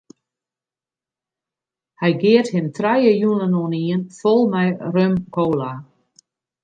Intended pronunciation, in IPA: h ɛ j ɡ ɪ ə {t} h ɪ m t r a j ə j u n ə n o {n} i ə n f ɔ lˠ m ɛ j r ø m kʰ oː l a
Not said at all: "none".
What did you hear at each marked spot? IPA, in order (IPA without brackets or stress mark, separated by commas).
t, n